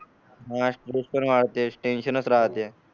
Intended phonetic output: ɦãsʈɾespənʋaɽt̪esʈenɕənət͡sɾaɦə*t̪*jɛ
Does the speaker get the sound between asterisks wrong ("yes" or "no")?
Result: no